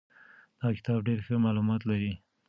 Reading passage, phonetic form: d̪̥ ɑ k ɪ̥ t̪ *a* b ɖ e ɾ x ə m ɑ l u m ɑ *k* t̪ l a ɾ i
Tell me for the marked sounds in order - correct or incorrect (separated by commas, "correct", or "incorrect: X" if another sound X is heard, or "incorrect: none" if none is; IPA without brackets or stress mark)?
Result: incorrect: ɑ, incorrect: none